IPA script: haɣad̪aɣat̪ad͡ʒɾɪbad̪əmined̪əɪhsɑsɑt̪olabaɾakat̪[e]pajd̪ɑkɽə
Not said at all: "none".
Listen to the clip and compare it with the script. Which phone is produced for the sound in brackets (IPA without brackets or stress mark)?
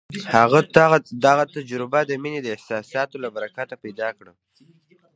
a